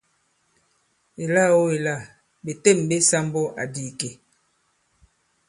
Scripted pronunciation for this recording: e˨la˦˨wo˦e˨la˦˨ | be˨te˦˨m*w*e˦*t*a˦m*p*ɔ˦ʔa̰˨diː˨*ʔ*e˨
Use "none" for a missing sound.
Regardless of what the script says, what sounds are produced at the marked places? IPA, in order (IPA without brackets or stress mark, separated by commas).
b, s, b, k